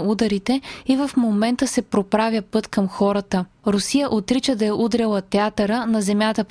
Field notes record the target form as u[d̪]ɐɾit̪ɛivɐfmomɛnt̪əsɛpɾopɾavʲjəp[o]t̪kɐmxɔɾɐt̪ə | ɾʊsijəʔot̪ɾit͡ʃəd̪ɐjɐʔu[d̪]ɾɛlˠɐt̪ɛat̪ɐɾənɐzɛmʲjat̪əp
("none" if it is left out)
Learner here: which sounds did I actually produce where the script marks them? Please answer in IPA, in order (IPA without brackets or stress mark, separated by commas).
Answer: d̪, ɤ, d̪